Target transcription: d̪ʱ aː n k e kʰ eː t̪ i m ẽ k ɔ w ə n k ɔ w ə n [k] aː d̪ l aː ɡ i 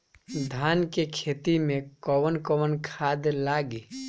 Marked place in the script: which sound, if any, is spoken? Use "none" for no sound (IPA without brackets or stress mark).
kʰ